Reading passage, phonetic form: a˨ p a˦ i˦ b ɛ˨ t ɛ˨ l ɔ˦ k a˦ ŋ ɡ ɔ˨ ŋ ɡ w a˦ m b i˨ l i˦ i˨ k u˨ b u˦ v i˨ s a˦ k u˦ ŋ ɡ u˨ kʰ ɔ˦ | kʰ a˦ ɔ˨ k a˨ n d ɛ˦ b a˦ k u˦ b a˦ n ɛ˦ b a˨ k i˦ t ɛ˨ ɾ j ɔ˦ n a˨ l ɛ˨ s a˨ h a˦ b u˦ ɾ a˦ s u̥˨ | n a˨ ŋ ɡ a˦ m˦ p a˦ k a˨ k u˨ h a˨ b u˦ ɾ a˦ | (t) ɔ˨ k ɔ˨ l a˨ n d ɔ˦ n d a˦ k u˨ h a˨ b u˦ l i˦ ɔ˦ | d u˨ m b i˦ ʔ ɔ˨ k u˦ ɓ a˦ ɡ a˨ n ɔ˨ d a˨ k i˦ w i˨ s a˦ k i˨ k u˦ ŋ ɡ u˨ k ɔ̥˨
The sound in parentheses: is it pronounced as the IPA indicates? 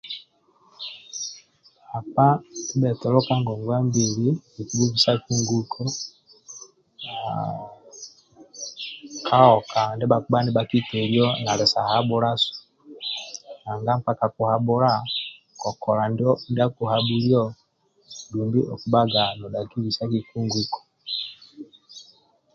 no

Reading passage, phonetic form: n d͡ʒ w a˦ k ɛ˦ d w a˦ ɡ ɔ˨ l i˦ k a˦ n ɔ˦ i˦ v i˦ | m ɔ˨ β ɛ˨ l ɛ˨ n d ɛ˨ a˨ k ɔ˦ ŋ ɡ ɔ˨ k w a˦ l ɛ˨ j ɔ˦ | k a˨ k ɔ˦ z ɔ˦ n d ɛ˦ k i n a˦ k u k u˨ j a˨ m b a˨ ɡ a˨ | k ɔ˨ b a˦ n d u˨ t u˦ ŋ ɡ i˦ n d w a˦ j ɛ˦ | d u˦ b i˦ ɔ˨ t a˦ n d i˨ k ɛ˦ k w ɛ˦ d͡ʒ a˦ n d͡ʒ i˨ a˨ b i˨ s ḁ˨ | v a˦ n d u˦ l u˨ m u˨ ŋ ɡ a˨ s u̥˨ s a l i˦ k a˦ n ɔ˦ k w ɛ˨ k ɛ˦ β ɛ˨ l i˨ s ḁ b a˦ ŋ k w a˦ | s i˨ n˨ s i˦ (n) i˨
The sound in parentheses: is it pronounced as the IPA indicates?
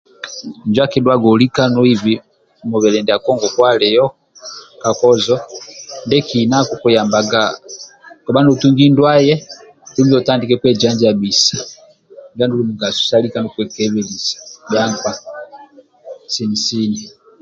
yes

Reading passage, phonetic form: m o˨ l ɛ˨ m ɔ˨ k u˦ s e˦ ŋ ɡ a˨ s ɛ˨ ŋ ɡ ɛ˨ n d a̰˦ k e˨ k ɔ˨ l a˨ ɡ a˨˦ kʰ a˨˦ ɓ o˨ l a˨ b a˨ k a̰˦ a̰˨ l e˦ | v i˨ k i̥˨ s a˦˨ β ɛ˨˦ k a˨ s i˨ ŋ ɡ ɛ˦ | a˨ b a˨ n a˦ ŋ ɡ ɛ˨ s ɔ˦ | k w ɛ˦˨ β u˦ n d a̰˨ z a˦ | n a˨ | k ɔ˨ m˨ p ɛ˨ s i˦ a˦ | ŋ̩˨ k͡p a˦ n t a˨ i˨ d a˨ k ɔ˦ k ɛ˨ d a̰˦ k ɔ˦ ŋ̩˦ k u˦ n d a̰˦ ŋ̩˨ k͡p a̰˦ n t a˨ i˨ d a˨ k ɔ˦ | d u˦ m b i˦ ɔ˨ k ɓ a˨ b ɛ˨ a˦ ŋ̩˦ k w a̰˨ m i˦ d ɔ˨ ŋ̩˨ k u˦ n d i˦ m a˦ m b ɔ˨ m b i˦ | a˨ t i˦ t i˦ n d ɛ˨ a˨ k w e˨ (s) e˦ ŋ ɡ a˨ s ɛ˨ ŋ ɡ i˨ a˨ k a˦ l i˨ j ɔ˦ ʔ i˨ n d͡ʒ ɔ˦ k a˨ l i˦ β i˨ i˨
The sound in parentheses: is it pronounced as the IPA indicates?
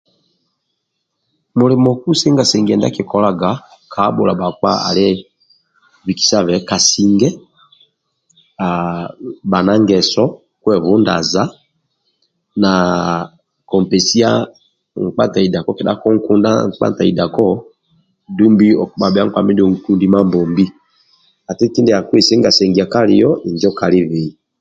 yes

